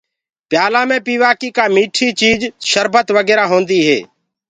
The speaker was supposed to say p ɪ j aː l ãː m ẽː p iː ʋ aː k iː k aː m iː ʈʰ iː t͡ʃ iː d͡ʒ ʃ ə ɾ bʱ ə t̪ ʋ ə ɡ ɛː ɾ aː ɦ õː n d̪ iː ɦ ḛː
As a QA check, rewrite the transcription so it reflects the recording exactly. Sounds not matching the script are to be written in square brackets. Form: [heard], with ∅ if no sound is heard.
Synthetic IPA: p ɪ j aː l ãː m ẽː p iː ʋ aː k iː k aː m iː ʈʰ iː t͡ʃ iː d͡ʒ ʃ ə ɾ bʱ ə t̪ ʋ ə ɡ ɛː ɾ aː ɦ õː n d̪ iː ɦ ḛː